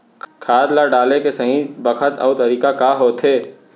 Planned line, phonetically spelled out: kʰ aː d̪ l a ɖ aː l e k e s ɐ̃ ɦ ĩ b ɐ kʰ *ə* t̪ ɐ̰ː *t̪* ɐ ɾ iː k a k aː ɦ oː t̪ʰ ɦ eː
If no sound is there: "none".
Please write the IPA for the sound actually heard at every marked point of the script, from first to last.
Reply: ə, t̪

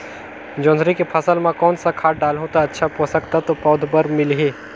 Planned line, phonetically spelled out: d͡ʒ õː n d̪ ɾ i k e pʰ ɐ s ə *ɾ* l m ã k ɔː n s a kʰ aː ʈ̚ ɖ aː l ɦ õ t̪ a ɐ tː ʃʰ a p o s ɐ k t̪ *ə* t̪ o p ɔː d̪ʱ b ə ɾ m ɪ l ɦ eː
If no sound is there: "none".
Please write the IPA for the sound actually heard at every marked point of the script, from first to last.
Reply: none, a

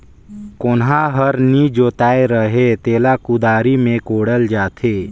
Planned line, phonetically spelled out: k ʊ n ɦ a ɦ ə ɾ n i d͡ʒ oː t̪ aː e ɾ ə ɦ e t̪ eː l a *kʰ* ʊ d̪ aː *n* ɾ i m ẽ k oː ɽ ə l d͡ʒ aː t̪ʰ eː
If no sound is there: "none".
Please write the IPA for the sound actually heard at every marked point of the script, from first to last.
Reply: k, none

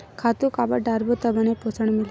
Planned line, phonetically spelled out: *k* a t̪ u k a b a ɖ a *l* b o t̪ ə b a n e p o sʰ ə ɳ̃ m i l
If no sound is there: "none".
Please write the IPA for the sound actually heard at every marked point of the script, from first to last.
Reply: kʰ, ɾ

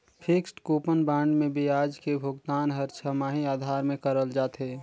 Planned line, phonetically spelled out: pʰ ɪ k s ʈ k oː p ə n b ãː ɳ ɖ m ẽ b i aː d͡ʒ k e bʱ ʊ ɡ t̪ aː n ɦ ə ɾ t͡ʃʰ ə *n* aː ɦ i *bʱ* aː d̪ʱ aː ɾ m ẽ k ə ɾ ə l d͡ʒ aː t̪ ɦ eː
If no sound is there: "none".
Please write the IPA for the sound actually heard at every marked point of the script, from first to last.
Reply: m, none

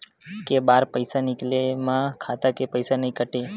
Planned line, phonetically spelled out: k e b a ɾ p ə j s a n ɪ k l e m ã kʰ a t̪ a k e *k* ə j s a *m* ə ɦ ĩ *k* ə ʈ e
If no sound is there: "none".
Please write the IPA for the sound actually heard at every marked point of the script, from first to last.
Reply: p, n, k

